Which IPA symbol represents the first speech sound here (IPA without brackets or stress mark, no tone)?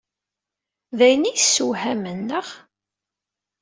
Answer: ð